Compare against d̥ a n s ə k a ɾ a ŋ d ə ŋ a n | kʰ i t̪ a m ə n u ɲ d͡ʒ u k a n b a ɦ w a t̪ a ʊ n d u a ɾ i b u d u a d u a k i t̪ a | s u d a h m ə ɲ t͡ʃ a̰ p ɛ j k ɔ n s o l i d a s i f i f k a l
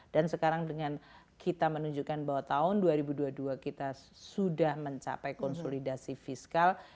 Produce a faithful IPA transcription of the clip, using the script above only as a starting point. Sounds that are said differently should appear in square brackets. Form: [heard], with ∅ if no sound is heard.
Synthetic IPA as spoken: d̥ a n s ə k a ɾ a ŋ d ə ŋ a n | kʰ i t̪ a m ə n u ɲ d͡ʒ u k a n b a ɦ w a t̪ a ʊ n d u a ɾ i b u d u a d u a k i t̪ a | s u d a h m ə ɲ t͡ʃ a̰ p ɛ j k ɔ n s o l i d a s i f i [s] k a l

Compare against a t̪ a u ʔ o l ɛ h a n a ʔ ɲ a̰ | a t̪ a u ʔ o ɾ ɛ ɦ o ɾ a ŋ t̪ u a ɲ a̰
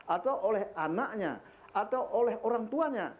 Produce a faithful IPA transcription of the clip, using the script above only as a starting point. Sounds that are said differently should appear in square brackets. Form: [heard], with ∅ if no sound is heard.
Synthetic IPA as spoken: a t̪ a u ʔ o l ɛ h a n a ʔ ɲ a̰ | a t̪ a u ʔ o [l] ɛ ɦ o ɾ a ŋ t̪ u a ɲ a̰

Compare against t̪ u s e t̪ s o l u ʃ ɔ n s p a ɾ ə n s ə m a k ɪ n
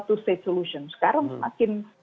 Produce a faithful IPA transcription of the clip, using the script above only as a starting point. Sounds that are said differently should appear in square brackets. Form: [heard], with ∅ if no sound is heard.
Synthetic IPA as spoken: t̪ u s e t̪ s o l u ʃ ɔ n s [k] a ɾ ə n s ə m a k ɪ n

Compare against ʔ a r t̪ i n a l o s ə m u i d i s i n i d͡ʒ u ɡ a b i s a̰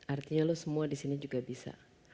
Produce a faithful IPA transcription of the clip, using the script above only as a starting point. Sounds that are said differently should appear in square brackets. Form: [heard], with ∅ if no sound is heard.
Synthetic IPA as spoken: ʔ a r t̪ i [ɲ] a l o s ə m u [a] d i s i n i d͡ʒ u ɡ a b i s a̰

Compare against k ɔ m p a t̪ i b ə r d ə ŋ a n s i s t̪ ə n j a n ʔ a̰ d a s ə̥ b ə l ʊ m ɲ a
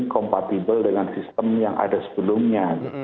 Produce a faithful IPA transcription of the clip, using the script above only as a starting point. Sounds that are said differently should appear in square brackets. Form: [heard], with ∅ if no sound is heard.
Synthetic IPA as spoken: k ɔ m p a t̪ i b ə [l] d ə ŋ a n s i s t̪ ə [m] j a [ŋ] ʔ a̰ d a s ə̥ b ə l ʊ m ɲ a

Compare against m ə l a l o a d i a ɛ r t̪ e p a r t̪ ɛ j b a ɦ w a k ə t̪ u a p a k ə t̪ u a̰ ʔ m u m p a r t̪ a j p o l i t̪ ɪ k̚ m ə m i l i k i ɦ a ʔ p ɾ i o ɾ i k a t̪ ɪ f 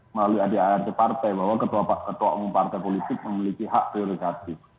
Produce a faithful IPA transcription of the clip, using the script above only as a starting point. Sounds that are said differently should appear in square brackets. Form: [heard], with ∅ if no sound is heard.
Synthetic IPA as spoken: m ə l a l [u] a d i a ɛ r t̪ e p a r t̪ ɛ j b a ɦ w a k ə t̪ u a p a k ə t̪ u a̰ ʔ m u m p a r t̪ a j p o l i t̪ ɪ k̚ m ə m i l i k i ɦ a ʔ p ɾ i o ɾ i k a t̪ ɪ f

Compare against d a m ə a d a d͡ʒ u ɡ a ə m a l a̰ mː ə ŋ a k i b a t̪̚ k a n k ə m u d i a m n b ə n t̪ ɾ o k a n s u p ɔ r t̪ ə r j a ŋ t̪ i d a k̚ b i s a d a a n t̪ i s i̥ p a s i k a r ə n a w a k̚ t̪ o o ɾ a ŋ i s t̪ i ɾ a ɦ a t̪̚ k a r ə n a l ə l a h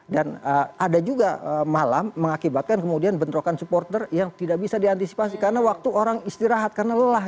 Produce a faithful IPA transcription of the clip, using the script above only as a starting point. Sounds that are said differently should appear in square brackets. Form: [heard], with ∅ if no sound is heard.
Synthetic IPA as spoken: d a [n] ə a d a d͡ʒ u ɡ a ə m a l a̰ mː ə ŋ a k i b a t̪̚ k a n k ə m u d i a [∅] n b ə n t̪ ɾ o k a n s u p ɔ r t̪ ə r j a ŋ t̪ i d a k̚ b i s a d [i] a n t̪ i s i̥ p a s i k a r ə n a w a k̚ t̪ [u] o ɾ a ŋ i s t̪ i ɾ a ɦ a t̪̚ k a r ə n a l ə l a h

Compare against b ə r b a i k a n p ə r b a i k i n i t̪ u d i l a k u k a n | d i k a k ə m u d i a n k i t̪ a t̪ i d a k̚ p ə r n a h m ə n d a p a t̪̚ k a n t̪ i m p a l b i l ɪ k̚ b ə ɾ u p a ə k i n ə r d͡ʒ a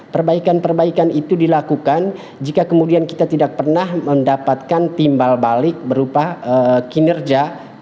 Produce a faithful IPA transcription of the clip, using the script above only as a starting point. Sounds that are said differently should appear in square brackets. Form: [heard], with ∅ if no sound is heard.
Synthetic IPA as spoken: [p] ə r b a i k a n p ə r b a i k [a] n i t̪ u d i l a k u k a n | [d͡ʒ] i k a k ə m u d i a n k i t̪ a t̪ i d a k̚ p ə r n a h m ə n d a p a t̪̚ k a n t̪ i m [b] a l b [a] l ɪ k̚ b ə ɾ u p a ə k i n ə r d͡ʒ a

